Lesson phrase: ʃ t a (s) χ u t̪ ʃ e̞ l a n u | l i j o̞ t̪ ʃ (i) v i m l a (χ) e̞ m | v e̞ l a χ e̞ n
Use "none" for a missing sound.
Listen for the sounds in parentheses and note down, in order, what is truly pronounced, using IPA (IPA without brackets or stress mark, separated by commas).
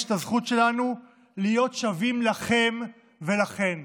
z, a, χ